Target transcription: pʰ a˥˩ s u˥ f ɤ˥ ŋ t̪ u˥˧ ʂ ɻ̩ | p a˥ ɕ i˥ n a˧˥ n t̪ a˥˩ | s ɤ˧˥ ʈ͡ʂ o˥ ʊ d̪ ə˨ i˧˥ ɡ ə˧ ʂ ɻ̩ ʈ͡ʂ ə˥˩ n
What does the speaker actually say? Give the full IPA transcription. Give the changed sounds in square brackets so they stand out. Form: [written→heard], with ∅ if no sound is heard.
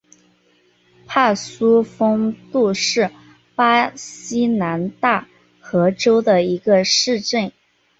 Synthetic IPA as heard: pʰ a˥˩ s u˥ f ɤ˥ ŋ t̪ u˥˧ ʂ ɻ̩ | p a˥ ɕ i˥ n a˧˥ n t̪ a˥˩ | [s→x] ɤ˧˥ ʈ͡ʂ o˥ ʊ d̪ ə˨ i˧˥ ɡ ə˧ ʂ ɻ̩ ʈ͡ʂ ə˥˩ n